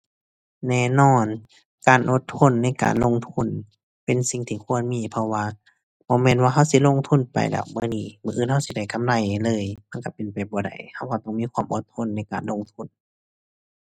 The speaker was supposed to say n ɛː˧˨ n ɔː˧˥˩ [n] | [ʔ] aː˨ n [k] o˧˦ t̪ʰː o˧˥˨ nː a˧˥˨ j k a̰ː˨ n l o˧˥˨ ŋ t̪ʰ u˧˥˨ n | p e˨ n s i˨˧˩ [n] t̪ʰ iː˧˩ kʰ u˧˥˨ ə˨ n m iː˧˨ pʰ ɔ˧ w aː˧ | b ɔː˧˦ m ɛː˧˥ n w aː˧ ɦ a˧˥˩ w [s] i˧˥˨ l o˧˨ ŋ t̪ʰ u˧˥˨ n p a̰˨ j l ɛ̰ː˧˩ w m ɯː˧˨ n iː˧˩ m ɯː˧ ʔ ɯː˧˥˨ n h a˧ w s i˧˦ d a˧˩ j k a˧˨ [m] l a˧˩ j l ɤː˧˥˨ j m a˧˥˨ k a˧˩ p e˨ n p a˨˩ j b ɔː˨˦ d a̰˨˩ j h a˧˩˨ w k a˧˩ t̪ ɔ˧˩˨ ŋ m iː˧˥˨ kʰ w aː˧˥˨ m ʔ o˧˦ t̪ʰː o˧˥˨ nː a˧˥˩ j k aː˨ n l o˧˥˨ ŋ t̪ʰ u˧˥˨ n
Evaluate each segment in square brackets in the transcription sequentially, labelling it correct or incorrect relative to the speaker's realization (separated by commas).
correct, incorrect, incorrect, incorrect, correct, correct